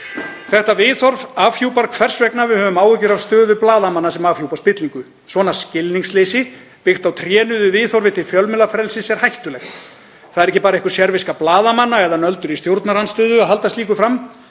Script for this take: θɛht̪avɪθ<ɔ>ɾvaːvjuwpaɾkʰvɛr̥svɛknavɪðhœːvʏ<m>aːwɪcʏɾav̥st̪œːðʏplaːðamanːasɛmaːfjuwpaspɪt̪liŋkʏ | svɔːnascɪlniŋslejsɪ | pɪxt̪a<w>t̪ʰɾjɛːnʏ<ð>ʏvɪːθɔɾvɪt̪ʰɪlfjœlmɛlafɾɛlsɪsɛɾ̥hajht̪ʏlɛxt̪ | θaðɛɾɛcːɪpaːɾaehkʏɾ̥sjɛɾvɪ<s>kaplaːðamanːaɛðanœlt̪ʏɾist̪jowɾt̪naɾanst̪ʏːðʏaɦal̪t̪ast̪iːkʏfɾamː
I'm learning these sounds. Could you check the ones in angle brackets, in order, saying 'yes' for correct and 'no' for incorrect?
yes, yes, yes, yes, yes

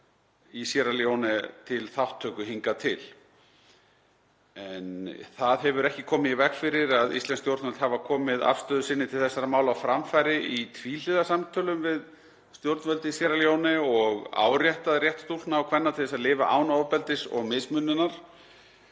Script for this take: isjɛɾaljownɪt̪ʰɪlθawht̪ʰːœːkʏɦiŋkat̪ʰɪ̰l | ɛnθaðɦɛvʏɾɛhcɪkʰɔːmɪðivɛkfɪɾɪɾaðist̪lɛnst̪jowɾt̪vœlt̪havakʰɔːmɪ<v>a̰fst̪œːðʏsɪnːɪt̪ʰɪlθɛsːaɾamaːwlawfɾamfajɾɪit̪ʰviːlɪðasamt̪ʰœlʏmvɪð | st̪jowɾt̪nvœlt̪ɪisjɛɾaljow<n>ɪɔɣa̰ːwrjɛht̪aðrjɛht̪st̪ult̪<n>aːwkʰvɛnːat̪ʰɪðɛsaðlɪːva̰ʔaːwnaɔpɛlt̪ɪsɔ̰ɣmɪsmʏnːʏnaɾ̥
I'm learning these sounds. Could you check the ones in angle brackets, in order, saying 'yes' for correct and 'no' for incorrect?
no, yes, yes

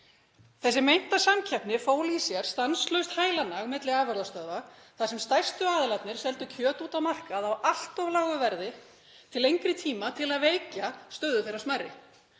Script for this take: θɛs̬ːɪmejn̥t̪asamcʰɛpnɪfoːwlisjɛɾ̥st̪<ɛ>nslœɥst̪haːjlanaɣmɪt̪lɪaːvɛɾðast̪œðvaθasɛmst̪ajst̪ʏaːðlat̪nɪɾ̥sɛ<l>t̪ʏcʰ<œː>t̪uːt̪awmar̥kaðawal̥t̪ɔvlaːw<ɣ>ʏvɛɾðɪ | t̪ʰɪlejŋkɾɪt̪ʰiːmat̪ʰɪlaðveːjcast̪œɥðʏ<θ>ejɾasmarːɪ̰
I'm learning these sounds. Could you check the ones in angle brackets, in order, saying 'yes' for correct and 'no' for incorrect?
no, yes, yes, yes, yes

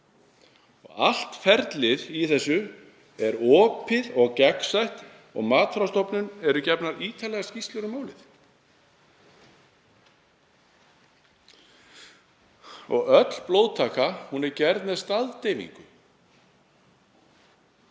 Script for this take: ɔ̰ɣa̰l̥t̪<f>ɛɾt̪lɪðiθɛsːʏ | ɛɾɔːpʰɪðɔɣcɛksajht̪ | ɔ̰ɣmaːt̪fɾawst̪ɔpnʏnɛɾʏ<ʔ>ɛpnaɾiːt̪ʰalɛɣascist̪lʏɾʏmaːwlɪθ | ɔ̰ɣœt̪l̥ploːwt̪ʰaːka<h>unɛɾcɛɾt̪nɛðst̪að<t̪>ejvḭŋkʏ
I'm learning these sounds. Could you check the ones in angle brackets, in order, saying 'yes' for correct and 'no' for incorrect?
yes, no, yes, yes

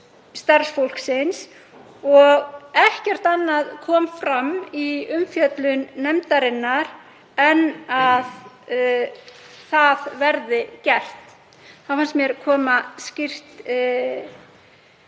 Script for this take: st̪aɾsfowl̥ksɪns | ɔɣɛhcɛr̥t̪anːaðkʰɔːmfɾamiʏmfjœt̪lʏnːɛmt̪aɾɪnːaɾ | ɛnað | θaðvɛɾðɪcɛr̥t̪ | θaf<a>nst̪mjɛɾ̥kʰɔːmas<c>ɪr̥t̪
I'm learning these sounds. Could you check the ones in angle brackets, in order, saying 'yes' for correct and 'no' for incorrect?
yes, yes

